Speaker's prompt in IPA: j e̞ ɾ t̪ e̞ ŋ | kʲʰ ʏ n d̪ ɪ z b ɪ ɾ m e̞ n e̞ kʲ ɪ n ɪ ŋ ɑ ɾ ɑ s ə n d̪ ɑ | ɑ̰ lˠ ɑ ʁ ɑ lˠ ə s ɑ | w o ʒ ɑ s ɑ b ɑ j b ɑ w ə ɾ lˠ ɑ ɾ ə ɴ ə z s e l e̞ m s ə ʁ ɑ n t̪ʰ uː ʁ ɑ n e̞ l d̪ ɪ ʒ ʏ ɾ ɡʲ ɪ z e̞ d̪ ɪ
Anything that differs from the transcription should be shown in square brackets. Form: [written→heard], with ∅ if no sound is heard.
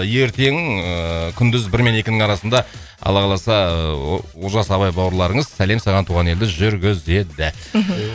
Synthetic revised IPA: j e̞ ɾ t̪ e̞ ŋ | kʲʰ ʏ n d̪ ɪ z b ɪ ɾ m e̞ n e̞ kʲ ɪ n ɪ ŋ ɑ ɾ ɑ s ə n d̪ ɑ | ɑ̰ lˠ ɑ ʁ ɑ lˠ [ə→ɑ] s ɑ | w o ʒ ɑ s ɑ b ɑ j b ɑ w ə ɾ lˠ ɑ ɾ ə ɴ ə z s [e→æ] l e̞ m s [ə→ɑ] ʁ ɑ n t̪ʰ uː ʁ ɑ n e̞ l d̪ ɪ ʒ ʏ ɾ ɡʲ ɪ z e̞ d̪ ɪ